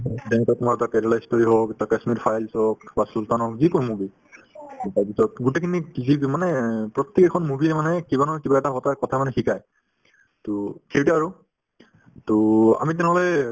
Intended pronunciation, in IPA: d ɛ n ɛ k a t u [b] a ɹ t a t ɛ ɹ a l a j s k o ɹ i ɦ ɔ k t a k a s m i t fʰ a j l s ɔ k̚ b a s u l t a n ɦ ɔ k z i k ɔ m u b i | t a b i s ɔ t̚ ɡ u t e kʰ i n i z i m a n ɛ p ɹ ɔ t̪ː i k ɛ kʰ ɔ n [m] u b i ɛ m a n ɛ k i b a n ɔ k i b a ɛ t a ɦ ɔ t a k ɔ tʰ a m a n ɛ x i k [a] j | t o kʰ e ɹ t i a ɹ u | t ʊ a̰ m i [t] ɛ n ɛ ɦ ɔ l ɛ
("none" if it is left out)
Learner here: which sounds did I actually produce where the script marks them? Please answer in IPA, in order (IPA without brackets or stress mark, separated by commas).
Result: m, m, a, t